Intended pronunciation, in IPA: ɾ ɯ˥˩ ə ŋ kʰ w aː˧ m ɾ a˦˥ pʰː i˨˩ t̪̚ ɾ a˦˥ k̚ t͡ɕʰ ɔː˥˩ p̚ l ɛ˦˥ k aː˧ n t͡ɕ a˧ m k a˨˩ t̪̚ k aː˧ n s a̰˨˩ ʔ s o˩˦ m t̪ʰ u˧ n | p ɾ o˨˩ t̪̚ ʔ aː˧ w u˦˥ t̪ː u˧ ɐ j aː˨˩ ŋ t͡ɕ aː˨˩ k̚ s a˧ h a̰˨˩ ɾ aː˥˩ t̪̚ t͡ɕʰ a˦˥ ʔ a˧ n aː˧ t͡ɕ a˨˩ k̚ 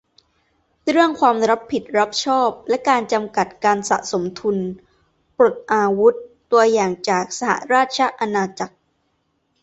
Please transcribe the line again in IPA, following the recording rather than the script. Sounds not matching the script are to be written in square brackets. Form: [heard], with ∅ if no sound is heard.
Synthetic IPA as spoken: ɾ ɯ˥˩ ə ŋ kʰ w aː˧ m ɾ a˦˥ pʰː i˨˩ t̪̚ ɾ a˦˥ [p̚] t͡ɕʰ ɔː˥˩ p̚ l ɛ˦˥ k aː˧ n t͡ɕ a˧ m k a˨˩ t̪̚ k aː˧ n s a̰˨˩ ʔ s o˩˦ m t̪ʰ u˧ n | p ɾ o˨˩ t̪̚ ʔ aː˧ w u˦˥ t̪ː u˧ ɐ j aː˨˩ ŋ t͡ɕ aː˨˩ k̚ s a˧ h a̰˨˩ ɾ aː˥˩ t̪̚ t͡ɕʰ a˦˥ ʔ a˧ n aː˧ t͡ɕ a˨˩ k̚